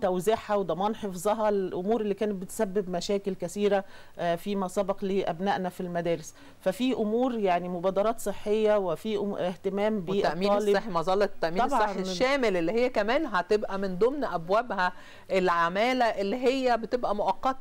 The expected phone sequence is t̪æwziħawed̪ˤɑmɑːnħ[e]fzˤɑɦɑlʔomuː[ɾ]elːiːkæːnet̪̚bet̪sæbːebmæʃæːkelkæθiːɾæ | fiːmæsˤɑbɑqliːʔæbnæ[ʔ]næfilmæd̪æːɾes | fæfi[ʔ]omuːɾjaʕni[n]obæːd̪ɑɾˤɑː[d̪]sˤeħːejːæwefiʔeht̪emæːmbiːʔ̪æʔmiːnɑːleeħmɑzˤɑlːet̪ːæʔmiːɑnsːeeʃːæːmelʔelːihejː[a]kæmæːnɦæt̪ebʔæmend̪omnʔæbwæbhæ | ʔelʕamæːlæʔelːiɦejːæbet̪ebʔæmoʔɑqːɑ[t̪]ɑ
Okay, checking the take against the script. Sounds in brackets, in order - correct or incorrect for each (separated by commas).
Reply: correct, correct, correct, correct, incorrect, incorrect, incorrect, correct